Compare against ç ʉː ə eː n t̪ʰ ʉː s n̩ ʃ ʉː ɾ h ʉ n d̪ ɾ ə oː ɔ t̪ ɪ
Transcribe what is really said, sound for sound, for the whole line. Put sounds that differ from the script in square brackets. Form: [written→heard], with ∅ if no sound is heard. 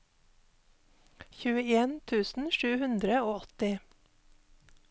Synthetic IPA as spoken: ç ʉː ə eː n t̪ʰ ʉː s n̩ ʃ ʉː [ɾ→∅] h ʉ n d̪ ɾ ə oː ɔ t̪ ɪ